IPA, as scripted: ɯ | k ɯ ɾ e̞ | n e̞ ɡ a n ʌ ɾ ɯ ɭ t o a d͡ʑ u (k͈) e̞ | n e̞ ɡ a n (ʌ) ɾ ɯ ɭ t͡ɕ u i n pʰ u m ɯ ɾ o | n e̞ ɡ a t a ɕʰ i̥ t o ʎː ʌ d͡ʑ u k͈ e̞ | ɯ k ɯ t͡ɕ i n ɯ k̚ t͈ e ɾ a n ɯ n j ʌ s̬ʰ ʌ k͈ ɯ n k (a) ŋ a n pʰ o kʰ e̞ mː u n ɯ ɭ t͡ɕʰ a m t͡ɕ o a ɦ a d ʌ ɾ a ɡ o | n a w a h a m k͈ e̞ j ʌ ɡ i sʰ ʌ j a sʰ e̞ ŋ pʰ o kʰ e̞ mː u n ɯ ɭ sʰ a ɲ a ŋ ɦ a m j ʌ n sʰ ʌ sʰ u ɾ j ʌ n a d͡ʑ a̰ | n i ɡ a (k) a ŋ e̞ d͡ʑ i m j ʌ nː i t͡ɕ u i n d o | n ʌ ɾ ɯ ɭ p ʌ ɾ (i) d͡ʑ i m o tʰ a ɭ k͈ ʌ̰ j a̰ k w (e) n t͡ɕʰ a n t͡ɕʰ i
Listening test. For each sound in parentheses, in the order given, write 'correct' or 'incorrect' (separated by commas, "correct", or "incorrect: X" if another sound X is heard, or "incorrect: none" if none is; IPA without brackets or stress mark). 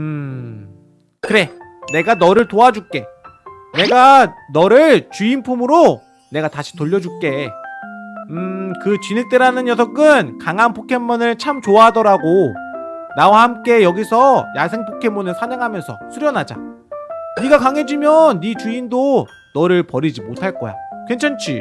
correct, correct, correct, correct, correct, correct